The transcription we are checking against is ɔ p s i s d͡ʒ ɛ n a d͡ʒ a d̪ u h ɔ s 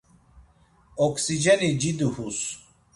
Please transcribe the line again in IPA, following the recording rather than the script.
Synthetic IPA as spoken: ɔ k s i d͡ʒ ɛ n i d͡ʒ i d̪ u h u s